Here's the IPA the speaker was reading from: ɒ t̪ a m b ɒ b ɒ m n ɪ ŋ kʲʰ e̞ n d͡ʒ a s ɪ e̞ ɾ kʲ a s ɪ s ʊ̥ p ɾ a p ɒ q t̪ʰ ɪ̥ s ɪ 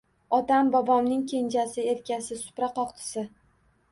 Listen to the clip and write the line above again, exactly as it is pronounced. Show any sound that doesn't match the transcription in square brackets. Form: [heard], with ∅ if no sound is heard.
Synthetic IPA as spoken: ɒ t̪ a m b ɒ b ɒ m n ɪ ŋ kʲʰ e̞ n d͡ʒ a s ɪ e̞ ɾ kʲ a s ɪ s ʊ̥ p ɾ a [q] ɒ q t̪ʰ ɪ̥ s ɪ